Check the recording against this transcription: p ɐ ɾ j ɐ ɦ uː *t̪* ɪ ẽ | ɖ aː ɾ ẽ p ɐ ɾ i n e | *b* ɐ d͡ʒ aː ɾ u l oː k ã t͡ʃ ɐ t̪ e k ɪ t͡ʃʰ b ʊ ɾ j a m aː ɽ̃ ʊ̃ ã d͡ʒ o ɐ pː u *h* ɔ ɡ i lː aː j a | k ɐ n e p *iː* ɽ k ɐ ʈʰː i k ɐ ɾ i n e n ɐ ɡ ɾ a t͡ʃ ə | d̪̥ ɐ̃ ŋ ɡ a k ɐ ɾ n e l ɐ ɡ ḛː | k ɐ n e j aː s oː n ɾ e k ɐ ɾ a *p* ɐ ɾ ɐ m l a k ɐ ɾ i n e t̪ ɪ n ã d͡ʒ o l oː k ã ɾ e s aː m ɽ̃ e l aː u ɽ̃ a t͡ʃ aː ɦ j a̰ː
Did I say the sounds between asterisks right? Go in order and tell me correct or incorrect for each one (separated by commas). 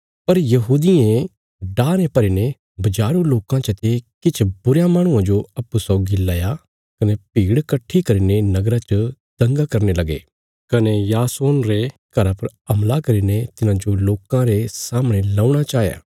incorrect, correct, incorrect, correct, correct